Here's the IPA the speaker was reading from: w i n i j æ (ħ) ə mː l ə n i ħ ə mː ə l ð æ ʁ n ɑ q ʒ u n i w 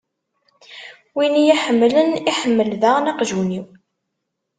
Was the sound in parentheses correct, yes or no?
yes